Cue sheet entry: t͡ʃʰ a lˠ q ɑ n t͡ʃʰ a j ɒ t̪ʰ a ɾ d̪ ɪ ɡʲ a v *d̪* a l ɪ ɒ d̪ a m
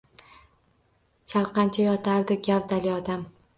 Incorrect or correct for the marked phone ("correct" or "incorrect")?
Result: correct